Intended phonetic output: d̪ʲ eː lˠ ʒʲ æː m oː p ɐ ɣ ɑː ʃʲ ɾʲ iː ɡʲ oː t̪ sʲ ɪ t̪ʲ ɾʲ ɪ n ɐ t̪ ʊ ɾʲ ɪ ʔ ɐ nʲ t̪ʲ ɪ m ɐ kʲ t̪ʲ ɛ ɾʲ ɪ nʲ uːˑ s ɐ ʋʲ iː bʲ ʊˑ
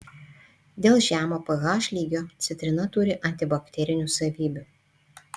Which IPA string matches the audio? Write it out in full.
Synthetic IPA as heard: d̪ʲ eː lˠ ʒʲ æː m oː p ɐ ɣ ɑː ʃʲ lʲ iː ɡʲ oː t̪ sʲ ɪ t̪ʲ ɾʲ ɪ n ɐ t̪ ʊ ɾʲ ɪ ʔ ɐ nʲ t̪ʲ ɪ b ɐ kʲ t̪ʲ ɛ ɾʲ ɪ nʲ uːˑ s ɐ ʋʲ iː bʲ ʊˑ